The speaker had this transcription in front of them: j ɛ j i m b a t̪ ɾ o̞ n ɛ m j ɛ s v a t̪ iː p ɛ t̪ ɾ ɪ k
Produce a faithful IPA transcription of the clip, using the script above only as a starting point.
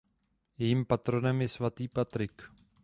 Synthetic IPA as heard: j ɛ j i m p a t̪ ɾ o̞ n ɛ m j ɛ s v a t̪ iː p a t̪ ɾ ɪ k